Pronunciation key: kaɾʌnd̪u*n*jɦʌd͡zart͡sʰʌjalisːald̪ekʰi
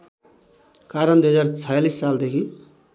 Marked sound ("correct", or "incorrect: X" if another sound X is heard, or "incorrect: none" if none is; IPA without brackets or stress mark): incorrect: none